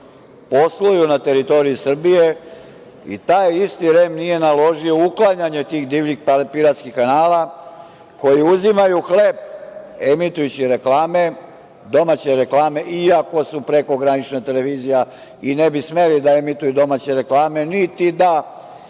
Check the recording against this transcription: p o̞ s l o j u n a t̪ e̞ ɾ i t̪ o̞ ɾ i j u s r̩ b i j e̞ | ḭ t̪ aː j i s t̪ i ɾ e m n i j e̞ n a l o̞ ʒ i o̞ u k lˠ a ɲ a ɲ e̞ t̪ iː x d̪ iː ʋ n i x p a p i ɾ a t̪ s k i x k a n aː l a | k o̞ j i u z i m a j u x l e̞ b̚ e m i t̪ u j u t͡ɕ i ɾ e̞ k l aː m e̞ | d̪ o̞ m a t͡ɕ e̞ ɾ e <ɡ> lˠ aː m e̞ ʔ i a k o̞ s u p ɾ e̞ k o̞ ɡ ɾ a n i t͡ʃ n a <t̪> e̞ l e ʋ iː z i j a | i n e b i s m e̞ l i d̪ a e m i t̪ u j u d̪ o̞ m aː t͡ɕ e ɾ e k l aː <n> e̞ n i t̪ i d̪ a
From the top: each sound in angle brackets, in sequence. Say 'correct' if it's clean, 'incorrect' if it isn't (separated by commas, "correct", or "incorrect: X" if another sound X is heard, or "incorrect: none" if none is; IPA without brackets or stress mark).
incorrect: k, correct, incorrect: m